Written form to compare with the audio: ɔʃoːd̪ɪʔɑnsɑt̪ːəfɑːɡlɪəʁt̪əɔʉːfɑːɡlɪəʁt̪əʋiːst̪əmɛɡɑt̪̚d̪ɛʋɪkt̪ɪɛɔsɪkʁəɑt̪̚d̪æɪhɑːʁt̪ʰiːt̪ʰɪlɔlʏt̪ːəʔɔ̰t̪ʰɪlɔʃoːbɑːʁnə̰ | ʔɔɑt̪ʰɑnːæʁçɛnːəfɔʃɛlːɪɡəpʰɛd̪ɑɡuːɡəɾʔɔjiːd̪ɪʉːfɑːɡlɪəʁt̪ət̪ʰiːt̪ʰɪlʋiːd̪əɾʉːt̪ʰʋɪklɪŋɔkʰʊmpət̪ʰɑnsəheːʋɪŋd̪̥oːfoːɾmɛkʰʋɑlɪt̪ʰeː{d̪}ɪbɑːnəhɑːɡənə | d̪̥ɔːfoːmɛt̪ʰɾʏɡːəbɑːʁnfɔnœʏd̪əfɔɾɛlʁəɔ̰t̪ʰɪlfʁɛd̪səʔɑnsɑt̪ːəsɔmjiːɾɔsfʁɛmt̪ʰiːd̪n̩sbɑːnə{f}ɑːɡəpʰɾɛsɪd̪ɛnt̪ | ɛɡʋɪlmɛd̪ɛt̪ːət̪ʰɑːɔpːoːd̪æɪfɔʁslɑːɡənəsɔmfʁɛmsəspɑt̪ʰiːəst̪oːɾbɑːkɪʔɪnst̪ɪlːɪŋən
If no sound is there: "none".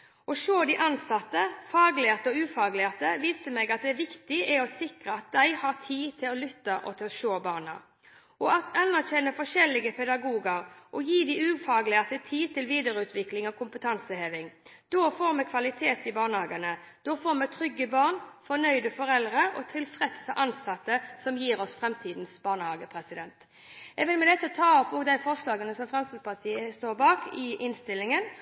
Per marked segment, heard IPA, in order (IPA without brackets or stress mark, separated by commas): t̪, h